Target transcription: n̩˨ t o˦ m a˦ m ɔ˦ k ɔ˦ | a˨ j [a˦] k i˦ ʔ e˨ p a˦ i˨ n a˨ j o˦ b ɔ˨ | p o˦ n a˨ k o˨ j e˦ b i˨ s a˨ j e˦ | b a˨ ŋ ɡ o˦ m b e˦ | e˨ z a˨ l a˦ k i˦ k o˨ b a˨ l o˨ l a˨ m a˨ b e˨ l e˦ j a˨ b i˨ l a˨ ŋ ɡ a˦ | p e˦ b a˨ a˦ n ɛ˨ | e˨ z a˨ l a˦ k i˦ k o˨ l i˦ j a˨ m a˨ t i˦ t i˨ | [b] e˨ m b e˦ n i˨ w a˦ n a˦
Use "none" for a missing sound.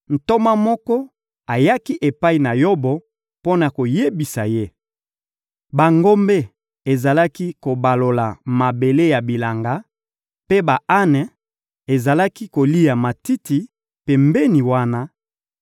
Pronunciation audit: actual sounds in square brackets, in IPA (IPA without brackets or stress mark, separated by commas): a˦, p